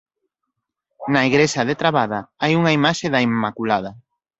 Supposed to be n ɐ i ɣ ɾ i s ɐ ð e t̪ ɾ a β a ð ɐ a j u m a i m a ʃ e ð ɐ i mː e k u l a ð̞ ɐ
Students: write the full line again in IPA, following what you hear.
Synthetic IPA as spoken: n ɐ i ɣ ɾ e s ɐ ð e t̪ ɾ a β a ð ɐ a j u ŋ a i m a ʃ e ð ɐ i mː a k u l a ð̞ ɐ